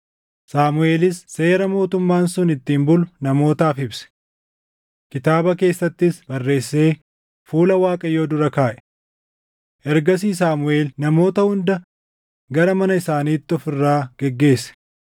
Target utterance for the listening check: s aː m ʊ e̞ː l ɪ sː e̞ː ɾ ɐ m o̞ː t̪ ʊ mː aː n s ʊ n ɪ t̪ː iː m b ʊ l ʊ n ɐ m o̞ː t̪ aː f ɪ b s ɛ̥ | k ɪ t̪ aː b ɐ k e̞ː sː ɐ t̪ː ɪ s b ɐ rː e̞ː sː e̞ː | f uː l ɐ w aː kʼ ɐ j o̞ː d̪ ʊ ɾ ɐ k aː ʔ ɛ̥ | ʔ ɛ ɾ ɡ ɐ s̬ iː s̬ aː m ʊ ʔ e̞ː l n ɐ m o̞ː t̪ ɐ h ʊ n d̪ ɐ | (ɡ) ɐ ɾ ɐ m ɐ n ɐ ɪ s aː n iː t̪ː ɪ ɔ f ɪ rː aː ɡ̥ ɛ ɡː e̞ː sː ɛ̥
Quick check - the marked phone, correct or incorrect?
correct